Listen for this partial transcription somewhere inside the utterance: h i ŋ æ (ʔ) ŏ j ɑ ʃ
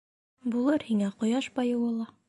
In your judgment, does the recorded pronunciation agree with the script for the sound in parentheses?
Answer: no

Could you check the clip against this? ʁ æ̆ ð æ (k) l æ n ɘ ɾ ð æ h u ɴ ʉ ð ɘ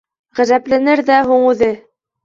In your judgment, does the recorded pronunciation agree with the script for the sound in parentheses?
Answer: no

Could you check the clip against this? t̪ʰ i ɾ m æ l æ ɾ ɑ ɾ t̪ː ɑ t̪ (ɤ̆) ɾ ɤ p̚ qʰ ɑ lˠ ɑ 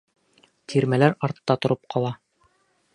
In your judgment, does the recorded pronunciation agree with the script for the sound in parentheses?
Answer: no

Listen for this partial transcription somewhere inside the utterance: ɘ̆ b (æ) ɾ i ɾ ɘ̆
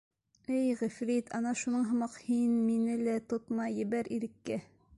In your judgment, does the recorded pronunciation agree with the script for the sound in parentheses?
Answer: yes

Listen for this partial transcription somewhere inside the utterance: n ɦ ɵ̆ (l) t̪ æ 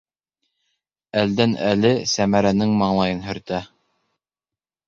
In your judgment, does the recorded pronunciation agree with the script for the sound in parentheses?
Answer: no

